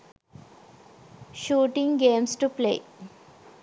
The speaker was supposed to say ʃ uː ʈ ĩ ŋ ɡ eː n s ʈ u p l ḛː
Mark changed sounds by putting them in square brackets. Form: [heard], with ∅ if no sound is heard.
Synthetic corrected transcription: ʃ uː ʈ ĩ ŋ ɡ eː [m] s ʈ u p l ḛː